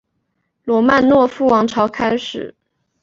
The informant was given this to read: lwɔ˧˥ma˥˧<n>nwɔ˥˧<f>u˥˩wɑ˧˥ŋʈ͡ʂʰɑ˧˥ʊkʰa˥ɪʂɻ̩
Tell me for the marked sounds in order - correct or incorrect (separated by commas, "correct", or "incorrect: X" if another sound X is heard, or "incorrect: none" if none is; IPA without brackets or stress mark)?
correct, correct